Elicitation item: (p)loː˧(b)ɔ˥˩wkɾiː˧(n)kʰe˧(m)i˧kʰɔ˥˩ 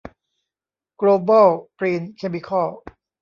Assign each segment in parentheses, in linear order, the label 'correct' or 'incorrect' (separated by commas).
incorrect, correct, correct, correct